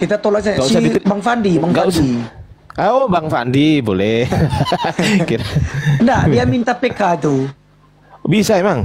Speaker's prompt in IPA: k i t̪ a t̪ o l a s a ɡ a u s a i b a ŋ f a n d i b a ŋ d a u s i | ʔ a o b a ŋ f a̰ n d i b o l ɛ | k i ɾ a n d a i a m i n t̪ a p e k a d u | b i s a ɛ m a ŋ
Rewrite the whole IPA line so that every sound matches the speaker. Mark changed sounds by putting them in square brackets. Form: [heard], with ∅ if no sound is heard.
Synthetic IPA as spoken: k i t̪ a t̪ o l a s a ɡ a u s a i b a ŋ f a n d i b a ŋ [ɡ] a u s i | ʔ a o b a ŋ f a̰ n d i b o l ɛ | k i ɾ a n d a i a m i n t̪ a p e k a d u | b i s a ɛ m a ŋ

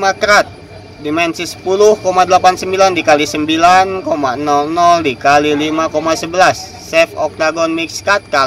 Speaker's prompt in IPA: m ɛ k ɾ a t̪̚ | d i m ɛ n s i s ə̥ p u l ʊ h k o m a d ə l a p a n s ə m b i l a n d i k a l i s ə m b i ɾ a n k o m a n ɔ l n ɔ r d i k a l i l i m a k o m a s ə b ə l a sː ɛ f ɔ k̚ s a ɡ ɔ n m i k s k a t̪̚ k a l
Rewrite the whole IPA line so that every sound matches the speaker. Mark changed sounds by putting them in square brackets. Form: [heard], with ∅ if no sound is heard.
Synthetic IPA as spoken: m [a] k ɾ a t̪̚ | d i m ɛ n s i s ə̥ p u l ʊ h k o m a d ə l a p a n s ə m b i l a n d i k a l i s ə m b i [l] a n k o m a n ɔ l n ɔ [l] d i k a l i l i m a k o m a s ə b ə l a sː ɛ f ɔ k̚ [t] a ɡ ɔ n m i k s k a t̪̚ k a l

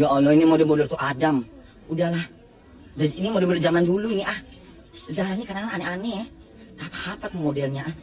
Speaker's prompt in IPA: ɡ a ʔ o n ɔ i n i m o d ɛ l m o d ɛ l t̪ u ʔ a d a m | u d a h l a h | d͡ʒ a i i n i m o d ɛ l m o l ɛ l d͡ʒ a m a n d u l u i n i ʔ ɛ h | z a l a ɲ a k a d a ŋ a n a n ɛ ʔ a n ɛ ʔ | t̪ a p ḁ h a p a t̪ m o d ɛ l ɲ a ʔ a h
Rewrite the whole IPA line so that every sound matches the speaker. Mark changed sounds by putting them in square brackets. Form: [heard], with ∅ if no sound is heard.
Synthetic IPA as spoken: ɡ a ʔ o n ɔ i n i m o d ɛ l m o d ɛ l t̪ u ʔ a d a m | u d a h l a h | d͡ʒ a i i n i m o d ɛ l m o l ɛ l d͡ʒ a m a n d u l u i n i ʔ [a] h | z a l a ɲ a k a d a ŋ a n a n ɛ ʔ a n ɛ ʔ | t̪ a p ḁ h a p a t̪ m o d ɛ l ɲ a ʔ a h

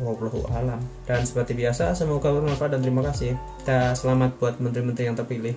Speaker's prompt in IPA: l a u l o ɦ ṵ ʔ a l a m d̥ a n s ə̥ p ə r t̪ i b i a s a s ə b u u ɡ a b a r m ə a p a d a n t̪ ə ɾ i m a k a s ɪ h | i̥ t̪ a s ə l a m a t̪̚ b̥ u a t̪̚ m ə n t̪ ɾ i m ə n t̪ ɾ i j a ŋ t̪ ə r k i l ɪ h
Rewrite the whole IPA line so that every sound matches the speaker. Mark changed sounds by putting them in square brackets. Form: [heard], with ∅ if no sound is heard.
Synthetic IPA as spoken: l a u l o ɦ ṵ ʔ a l a m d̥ a n s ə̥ p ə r t̪ i b i a s a s ə [m] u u ɡ a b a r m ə a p a d a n t̪ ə ɾ i m a k a s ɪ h | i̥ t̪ a s ə l a m a t̪̚ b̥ u a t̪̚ m ə n t̪ ɾ i m ə n t̪ ɾ i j a ŋ t̪ ə r [p] i l ɪ h

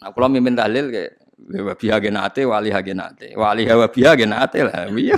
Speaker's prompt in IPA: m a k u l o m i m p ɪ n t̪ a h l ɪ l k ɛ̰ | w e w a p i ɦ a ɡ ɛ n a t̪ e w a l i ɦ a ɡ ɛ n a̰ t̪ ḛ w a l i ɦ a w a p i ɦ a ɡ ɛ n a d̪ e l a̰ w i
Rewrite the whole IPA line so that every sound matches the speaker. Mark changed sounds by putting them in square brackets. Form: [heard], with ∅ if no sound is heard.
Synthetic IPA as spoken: [n] a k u l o m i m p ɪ n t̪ a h l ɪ l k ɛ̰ | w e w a p i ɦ a ɡ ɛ n a t̪ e w a l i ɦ a ɡ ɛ n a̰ t̪ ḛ w a l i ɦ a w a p i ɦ a ɡ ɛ n a [t̪] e l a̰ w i

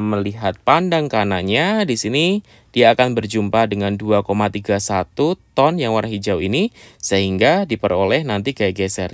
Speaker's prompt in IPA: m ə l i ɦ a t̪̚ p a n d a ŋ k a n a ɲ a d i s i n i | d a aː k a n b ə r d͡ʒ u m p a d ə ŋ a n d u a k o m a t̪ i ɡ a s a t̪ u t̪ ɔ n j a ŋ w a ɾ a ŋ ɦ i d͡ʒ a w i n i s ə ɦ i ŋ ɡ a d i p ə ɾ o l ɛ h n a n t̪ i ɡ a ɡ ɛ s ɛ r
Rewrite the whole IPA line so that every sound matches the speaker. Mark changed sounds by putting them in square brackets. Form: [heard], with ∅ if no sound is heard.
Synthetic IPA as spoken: m ə l i ɦ a t̪̚ p a n d a ŋ k a n a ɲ a d i s i n i | d [i] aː k a n b ə r d͡ʒ u m p a d ə ŋ a n d u a k o m a t̪ i ɡ a s a t̪ u t̪ ɔ n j a ŋ w a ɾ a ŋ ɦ i d͡ʒ a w i n i s ə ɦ i ŋ ɡ a d i p ə ɾ o l ɛ h n a n t̪ i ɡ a ɡ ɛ s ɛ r

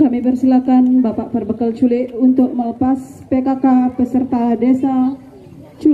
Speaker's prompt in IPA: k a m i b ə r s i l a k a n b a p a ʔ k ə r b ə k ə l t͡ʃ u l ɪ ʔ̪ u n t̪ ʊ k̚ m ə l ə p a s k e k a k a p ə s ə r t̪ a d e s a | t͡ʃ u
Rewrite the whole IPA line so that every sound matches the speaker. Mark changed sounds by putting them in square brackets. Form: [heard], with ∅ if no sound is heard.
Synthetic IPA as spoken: k a m i b ə r s i l a k a n b a p a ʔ [p] ə r b ə k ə l t͡ʃ u l ɪ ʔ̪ u n t̪ ʊ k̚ m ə l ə p a s [p] e k a k a p ə s ə r t̪ a d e s a | t͡ʃ u

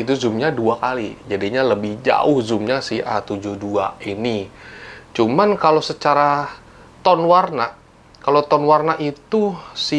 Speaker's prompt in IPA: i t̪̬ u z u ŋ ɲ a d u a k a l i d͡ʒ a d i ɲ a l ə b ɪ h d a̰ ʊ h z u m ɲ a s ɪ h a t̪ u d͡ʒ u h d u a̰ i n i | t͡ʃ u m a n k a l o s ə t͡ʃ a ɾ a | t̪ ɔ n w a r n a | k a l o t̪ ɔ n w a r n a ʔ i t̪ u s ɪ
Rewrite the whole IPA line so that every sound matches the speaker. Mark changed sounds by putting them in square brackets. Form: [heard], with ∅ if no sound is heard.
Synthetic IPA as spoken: i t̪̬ u z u [m] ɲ a d u a k a l i d͡ʒ a d i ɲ a l ə b ɪ h [d͡ʒ] a̰ ʊ h z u m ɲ a s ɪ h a t̪ u d͡ʒ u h d u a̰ i n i | t͡ʃ u m a n k a l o s ə t͡ʃ a ɾ a | t̪ ɔ n w a r n a | k a l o t̪ ɔ n w a r n a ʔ i t̪ u s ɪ

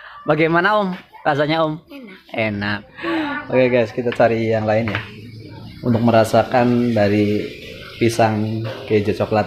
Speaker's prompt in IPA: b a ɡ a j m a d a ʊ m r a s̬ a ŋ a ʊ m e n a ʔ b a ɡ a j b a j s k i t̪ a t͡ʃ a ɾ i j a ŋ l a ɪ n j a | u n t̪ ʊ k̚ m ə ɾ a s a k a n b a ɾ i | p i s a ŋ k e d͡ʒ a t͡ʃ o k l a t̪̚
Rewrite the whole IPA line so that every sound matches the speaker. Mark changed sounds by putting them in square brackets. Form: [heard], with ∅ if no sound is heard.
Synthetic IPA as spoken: b a ɡ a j m a [n] a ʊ m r a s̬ a [ɲ] a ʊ m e n a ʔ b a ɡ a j [ɡ] a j s k i t̪ a t͡ʃ a ɾ i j a ŋ l a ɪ n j a | u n t̪ ʊ k̚ m ə ɾ a s a k a n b a ɾ i | p i s a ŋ k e d͡ʒ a t͡ʃ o k l a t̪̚

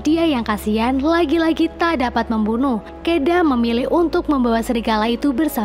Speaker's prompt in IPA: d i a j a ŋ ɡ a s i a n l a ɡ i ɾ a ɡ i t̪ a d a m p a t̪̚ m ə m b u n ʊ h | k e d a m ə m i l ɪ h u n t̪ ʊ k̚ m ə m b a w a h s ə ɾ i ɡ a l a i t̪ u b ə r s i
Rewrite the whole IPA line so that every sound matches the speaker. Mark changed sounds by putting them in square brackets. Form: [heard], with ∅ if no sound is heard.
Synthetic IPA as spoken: d i a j a ŋ [k] a s i a n l a ɡ i [l] a ɡ i t̪ a d a [∅] p a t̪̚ m ə m b u n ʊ h | k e d a m ə m i l ɪ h u n t̪ ʊ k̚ m ə m b a w a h s ə ɾ i ɡ a l a i t̪ u b ə r s [a]

